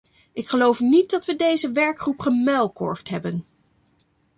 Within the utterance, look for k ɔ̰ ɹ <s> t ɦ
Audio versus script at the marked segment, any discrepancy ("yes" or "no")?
yes